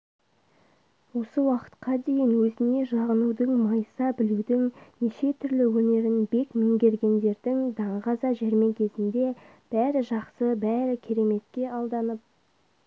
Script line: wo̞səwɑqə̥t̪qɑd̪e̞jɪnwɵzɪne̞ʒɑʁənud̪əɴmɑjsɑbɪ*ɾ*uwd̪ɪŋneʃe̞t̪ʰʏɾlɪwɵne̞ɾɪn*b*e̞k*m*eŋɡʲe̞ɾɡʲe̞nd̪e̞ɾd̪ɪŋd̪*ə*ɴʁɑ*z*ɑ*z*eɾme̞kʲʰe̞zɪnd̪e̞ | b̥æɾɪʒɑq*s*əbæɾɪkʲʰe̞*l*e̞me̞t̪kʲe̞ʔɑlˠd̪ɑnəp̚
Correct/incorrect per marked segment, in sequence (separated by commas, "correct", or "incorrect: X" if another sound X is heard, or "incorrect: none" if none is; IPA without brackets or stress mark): incorrect: l, correct, correct, incorrect: ɑ, correct, incorrect: ʒ, correct, incorrect: ɾ